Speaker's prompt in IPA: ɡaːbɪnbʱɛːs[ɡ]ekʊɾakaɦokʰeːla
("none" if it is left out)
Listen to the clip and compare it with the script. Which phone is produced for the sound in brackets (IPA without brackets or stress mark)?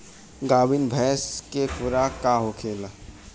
k